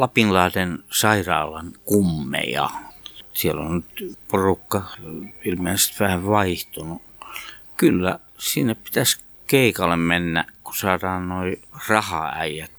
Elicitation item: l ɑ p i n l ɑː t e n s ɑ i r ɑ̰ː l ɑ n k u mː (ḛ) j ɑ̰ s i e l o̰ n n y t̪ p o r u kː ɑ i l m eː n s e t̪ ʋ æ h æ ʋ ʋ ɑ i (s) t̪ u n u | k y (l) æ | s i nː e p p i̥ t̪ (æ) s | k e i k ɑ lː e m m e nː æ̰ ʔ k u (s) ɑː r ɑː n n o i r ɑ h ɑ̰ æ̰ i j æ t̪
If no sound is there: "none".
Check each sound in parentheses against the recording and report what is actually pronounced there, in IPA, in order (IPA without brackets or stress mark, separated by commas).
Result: ḛ, h, lː, æ, s